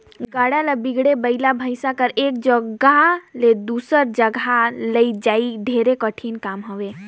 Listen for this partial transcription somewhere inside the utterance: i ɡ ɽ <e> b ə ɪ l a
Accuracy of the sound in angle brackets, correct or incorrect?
correct